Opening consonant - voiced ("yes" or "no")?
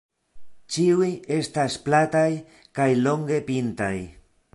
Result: no